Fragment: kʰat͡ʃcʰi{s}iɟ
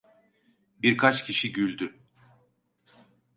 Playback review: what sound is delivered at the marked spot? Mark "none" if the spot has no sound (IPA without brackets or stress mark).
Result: ʃ